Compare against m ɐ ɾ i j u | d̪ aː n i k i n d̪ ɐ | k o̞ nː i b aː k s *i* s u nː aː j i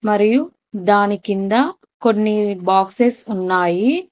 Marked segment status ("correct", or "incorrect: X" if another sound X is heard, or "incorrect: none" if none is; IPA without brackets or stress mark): incorrect: e